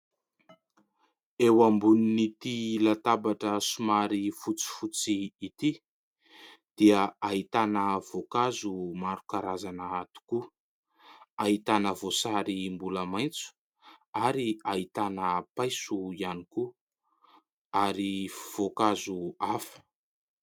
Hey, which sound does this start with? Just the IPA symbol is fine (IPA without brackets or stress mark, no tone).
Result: e